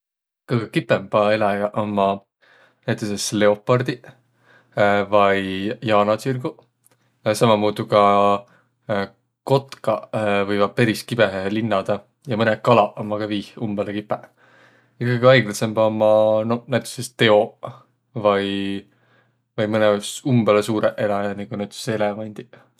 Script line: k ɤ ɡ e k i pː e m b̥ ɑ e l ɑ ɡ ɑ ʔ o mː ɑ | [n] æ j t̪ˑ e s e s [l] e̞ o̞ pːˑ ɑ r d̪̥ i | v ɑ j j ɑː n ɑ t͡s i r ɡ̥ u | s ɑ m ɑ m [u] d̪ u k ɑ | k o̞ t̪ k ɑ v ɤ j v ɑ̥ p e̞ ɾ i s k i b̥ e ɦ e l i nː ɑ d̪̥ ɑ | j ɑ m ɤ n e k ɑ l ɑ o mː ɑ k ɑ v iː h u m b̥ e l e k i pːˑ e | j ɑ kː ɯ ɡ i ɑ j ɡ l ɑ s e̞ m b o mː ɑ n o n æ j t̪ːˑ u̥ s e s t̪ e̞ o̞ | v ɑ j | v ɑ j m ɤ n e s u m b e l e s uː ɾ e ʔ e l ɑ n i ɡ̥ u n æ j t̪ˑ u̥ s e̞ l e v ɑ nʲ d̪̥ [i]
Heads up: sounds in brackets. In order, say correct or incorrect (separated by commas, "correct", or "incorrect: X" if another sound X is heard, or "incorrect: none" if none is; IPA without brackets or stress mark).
correct, correct, incorrect: uː, correct